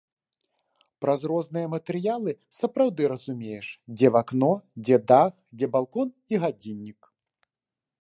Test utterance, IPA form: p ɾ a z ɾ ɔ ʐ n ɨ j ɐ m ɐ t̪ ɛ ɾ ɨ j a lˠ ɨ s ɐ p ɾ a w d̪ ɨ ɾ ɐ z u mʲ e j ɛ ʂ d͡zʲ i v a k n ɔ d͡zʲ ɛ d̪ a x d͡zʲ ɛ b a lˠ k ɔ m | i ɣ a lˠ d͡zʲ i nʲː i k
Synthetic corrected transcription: p ɾ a z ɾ ɔ z n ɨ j ɐ m ɐ t̪ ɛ ɾ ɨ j a lˠ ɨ s ɐ p ɾ a w d̪ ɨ ɾ ɐ z u mʲ e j ɛ ʂ d͡zʲ ɛ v a k n ɔ d͡zʲ ɛ d̪ a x d͡zʲ ɛ b a lˠ k ɔ n | i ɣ a d͡zʲ i nʲː i k